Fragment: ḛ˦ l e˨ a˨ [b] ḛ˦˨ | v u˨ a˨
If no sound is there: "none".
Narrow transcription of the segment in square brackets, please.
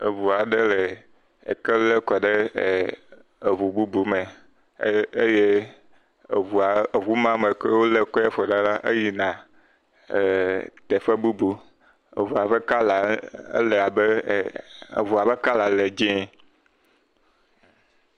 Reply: b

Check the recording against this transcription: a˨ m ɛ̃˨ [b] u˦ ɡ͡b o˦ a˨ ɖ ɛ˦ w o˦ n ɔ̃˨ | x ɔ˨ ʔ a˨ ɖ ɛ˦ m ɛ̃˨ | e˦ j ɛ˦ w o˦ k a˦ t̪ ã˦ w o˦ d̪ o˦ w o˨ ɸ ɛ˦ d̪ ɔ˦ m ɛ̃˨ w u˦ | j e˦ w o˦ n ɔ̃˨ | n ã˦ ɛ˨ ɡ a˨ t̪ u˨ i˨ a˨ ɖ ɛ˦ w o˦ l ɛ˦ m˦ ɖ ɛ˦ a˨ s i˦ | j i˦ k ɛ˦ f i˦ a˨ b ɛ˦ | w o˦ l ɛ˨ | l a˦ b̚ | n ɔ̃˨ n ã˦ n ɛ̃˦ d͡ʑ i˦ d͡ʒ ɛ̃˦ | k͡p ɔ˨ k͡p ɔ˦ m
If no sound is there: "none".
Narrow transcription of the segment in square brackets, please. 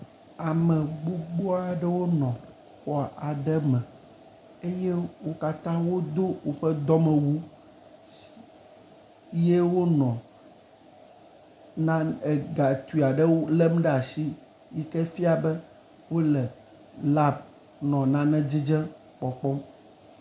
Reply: ɡ͡b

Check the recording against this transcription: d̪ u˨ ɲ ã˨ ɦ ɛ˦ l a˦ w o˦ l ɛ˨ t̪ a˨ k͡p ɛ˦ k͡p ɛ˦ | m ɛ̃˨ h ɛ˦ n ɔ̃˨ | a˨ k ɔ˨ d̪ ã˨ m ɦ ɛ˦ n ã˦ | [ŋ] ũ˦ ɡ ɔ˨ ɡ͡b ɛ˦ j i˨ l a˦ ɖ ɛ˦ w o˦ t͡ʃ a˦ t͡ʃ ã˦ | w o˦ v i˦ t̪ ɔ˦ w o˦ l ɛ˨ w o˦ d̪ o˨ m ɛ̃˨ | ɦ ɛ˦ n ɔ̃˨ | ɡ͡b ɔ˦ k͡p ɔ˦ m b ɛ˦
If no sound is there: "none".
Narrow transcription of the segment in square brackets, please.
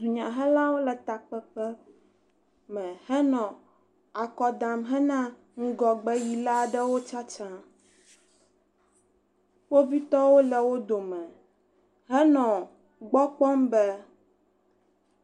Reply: ŋ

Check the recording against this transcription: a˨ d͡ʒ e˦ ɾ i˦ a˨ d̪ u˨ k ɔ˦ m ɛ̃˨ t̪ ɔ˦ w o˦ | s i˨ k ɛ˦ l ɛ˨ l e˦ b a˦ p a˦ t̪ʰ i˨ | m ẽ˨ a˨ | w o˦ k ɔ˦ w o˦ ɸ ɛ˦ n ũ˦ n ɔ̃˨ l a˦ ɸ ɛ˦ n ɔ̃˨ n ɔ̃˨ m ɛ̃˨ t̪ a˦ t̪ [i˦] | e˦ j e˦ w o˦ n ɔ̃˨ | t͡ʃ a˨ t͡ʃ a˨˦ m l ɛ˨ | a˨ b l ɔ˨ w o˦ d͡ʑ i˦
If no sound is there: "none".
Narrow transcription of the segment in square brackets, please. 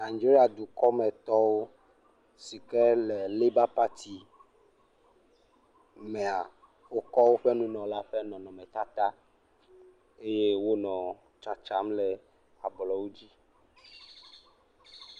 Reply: a˦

